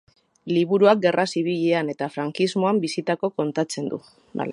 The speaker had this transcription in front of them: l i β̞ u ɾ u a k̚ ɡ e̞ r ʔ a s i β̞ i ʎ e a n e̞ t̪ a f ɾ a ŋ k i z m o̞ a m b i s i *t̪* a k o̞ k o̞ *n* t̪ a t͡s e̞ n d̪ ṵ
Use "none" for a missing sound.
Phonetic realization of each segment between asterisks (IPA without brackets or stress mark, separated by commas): t̪, n